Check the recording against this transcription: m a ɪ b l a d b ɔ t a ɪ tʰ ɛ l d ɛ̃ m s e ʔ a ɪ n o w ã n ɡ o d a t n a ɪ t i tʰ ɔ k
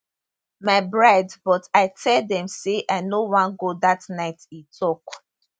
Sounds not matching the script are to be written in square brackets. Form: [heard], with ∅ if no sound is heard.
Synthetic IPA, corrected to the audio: m a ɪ b [ɹ] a d b ɔ t a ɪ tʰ ɛ l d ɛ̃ m s e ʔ a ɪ n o w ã n ɡ o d a t n a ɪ t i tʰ ɔ k